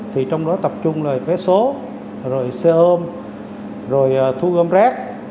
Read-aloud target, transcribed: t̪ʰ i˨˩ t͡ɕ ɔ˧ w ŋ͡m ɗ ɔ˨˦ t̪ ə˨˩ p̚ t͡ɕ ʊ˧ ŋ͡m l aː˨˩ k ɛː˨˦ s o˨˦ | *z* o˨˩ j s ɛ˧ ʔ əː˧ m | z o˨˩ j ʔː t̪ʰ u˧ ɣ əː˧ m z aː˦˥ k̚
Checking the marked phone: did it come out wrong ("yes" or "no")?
no